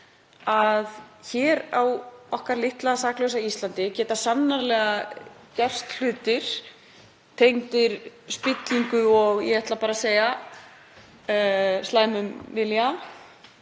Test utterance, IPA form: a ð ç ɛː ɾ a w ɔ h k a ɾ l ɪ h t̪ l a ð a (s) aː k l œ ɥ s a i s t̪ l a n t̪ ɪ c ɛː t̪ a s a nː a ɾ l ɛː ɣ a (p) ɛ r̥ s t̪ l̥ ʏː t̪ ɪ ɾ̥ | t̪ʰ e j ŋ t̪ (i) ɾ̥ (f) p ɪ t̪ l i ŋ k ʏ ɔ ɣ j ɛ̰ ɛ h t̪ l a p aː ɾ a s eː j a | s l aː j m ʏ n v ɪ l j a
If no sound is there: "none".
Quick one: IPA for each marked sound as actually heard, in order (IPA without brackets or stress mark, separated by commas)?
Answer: s, c, ɪ, s